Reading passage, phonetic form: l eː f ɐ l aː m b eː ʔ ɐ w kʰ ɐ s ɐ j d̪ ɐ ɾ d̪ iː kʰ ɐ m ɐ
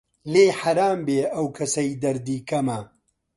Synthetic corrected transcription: l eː ħ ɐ ɾ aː m b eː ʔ ɐ w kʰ ɐ s ɐ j d̪ ɐ ɾ d̪ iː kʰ ɐ m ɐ